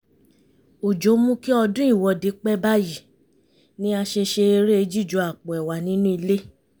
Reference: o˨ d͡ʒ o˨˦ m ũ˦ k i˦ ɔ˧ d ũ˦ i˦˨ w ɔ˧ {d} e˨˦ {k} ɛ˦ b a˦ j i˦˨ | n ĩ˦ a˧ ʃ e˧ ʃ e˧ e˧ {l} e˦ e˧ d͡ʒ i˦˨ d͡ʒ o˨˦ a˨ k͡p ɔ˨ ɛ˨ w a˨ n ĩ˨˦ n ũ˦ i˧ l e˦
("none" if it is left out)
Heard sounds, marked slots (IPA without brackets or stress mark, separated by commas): d, k͡p, ɾ